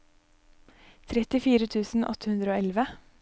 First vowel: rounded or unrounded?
unrounded